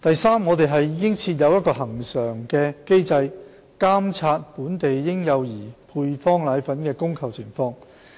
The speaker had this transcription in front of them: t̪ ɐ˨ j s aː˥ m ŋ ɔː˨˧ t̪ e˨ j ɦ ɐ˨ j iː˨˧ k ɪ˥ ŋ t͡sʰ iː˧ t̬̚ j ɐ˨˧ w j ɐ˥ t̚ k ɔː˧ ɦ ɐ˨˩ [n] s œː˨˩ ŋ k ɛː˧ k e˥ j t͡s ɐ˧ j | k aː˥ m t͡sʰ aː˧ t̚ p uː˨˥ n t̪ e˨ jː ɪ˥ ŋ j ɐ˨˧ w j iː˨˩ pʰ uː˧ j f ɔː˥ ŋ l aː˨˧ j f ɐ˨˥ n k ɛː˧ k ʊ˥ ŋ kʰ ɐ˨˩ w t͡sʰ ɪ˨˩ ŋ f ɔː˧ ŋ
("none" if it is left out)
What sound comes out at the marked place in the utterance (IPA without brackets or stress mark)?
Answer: ŋ